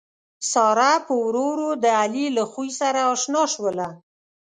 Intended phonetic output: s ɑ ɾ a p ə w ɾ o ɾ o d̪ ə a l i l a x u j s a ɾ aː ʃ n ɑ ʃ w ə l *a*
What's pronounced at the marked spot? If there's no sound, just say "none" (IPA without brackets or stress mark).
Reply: a